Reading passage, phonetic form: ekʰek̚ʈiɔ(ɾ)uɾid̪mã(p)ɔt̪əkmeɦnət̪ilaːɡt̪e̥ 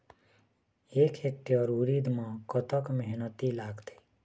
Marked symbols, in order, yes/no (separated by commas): yes, no